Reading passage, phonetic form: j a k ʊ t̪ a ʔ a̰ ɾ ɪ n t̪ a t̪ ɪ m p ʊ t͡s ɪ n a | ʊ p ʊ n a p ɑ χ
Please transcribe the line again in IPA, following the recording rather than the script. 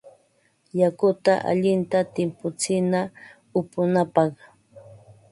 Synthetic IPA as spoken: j a k ʊ t̪ a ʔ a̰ ʎ ɪ n t̪ a t̪ ɪ m p ʊ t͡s ɪ n a | ʊ p ʊ n a p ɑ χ